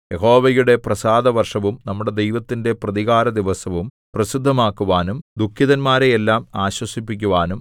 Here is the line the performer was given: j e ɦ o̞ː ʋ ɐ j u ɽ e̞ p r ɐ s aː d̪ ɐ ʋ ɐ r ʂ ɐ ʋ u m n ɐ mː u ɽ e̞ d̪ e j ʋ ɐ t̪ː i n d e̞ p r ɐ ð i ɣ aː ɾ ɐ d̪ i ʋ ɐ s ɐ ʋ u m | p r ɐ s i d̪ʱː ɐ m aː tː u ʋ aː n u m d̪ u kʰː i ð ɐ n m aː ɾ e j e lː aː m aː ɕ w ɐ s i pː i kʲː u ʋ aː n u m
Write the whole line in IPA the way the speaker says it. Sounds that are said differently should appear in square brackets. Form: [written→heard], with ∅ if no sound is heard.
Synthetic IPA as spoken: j e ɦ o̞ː ʋ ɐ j u ɽ e̞ p r ɐ s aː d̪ ɐ ʋ ɐ r ʂ ɐ ʋ u m n ɐ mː u ɽ e̞ d̪ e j ʋ ɐ t̪ː i n d e̞ p r ɐ ð i ɣ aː ɾ ɐ d̪ i ʋ ɐ s ɐ ʋ u m | p r ɐ s i d̪ʱː ɐ m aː [tː→kː] u ʋ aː n u m d̪ u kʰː i ð ɐ n m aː ɾ e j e lː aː m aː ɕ w ɐ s i pː i kʲː u ʋ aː n u m